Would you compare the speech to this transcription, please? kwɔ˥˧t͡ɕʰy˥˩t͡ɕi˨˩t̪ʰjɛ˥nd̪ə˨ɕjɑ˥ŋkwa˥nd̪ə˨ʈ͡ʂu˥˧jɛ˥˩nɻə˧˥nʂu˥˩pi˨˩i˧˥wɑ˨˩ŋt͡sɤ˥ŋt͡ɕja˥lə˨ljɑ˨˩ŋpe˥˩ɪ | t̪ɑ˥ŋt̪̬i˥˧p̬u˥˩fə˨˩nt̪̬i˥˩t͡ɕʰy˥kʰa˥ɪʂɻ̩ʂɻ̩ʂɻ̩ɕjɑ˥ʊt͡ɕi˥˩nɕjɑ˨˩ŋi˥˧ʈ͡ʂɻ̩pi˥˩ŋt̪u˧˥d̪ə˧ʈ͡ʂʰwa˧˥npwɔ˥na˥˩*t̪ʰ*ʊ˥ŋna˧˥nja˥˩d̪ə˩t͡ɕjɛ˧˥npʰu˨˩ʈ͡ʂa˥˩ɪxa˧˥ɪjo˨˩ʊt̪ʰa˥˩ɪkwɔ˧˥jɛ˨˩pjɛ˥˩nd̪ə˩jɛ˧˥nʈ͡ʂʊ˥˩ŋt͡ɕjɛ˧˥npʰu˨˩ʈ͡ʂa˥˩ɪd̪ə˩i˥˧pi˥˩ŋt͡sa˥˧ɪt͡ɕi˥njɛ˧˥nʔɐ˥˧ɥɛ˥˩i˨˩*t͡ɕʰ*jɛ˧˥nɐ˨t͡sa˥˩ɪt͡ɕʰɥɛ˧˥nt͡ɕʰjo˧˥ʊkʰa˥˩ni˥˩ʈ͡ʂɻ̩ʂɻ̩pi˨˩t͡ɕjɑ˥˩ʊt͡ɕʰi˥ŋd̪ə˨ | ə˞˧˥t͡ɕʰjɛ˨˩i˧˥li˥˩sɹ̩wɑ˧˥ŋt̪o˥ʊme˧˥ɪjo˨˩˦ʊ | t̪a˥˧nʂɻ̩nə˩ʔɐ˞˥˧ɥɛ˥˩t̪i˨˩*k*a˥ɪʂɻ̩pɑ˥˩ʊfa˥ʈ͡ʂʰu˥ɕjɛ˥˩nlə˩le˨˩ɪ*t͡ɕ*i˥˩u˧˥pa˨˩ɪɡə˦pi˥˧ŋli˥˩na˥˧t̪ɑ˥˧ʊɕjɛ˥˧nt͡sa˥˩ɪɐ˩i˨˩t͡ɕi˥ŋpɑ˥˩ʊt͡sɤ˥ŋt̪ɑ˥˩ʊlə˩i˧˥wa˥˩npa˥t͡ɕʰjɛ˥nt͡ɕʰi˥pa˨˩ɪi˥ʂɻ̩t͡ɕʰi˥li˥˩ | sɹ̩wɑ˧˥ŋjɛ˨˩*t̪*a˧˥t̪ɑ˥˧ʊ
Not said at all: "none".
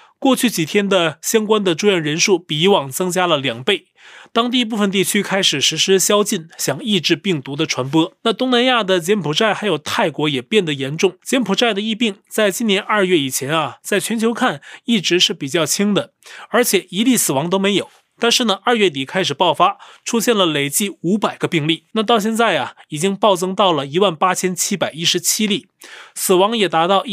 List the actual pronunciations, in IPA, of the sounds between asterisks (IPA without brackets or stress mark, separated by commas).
t̪, t͡ɕʰ, kʰ, t͡ɕ, t̪